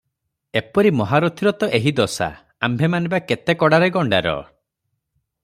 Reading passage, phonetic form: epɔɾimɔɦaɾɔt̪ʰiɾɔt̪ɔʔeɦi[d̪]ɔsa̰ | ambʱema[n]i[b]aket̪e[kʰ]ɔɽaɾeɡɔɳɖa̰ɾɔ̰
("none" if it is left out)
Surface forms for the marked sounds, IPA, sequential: d̪, n, b, k

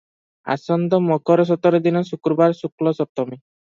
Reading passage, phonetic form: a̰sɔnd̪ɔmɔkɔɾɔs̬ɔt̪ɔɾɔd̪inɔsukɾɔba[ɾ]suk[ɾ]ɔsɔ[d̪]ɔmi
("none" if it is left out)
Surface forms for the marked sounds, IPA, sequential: ɾ, l, t̪

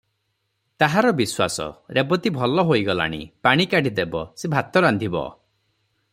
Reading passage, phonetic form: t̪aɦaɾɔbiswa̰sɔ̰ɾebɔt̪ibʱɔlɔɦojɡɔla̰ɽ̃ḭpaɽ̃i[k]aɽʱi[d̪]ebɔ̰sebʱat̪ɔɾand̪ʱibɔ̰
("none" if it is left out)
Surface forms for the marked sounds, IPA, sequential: k, d̪

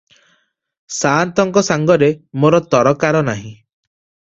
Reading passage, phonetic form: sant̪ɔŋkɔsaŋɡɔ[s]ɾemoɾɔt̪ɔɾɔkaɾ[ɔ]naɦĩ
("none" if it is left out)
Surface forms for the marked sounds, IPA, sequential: none, ɔ

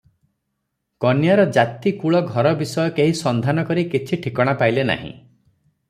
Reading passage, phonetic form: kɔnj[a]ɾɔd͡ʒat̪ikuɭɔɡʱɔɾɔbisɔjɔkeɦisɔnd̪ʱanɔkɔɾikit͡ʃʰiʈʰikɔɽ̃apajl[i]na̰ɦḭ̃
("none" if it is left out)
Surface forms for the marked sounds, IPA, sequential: a, e

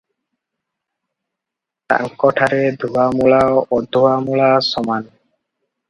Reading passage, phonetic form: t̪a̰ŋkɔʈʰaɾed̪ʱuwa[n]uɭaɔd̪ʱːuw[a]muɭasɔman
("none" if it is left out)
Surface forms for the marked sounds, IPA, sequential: m, a

